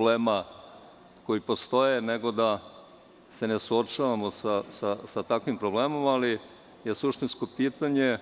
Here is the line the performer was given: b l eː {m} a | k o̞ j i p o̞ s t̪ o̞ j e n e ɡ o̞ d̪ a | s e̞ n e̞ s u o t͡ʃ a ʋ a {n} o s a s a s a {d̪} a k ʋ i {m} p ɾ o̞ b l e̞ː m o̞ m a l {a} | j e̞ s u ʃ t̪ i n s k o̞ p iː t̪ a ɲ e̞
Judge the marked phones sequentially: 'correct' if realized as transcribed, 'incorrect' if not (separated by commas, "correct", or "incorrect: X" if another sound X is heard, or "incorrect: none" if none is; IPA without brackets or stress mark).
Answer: correct, incorrect: m, incorrect: t̪, correct, incorrect: i